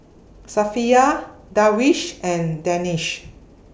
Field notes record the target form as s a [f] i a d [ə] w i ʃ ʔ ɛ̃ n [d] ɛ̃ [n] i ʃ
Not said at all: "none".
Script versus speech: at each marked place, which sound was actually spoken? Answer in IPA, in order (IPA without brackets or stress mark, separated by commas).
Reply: f, a, d, n